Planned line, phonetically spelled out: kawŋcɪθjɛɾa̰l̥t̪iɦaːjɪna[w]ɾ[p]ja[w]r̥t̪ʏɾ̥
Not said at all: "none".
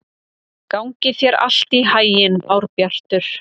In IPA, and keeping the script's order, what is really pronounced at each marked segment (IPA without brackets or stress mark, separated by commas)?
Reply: w, p, none